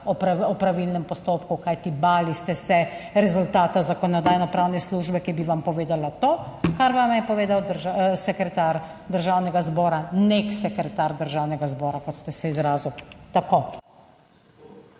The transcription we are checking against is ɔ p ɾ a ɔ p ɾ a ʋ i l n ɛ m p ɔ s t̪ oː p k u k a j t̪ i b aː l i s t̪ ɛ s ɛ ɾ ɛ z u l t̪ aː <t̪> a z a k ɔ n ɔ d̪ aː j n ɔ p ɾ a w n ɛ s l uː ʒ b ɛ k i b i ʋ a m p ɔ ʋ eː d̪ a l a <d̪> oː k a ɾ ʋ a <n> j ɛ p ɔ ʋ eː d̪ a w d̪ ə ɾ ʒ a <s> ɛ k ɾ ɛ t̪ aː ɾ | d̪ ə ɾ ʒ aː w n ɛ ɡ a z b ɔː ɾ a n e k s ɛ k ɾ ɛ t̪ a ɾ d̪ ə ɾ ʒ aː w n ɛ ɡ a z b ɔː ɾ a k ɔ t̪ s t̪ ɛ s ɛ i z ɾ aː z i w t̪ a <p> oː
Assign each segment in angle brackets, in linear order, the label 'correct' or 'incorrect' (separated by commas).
correct, incorrect, incorrect, correct, incorrect